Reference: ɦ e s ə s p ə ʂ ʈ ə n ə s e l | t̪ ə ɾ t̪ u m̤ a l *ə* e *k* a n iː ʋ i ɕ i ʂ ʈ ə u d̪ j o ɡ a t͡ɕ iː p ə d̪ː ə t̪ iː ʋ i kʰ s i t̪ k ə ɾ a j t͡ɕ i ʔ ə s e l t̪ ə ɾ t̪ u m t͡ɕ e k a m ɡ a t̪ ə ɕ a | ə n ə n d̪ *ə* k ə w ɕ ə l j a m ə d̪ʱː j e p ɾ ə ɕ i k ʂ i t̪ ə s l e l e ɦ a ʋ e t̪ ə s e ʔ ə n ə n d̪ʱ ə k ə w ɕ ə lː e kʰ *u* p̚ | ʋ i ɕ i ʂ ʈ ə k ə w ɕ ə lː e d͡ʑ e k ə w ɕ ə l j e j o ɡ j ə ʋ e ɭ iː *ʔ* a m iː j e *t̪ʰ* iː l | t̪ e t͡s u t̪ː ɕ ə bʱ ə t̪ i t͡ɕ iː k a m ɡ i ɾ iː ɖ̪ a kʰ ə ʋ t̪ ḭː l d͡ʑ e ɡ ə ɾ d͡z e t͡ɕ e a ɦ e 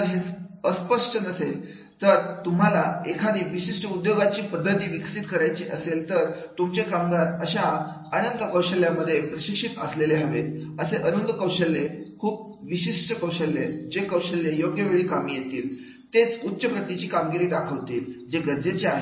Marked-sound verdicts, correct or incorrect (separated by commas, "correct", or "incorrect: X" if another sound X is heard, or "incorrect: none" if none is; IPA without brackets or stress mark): incorrect: a, incorrect: kʰ, correct, incorrect: uː, incorrect: k, incorrect: t̪